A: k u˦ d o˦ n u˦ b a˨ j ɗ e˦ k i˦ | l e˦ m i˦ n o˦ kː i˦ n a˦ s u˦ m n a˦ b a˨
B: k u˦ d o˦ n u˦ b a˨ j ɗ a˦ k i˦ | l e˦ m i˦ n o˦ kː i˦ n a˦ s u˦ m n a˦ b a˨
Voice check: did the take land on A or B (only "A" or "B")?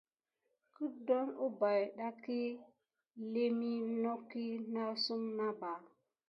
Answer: B